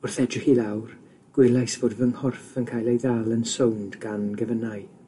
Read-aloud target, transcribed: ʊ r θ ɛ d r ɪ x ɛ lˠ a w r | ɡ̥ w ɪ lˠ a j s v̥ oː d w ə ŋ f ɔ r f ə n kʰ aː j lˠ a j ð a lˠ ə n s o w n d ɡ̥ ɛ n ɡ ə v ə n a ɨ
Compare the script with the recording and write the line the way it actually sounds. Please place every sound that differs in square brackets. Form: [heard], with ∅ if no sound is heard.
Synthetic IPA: ʊ r θ ɛ d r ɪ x [i] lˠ a w r | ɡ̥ w ɪ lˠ a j s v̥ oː d [v] ə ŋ [h] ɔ r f ə n kʰ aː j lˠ [e] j ð a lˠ ə n s o w n d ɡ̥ [a] n ɡ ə v ə n a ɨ